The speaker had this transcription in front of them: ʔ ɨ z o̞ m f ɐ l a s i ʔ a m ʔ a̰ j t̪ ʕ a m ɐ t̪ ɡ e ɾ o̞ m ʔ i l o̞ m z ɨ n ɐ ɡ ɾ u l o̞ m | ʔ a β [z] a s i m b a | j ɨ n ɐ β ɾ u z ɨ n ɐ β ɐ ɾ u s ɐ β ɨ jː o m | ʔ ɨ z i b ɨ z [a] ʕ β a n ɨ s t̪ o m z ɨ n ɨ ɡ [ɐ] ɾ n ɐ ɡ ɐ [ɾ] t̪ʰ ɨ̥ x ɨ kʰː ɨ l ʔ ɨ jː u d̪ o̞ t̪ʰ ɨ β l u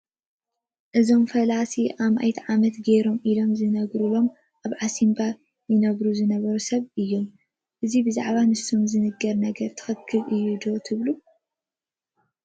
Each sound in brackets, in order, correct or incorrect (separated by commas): incorrect, correct, correct, correct